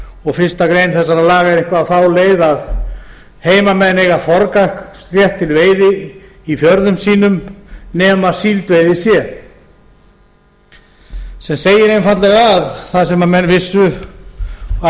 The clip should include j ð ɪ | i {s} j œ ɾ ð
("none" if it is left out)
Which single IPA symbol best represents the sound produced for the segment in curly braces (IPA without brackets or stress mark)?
f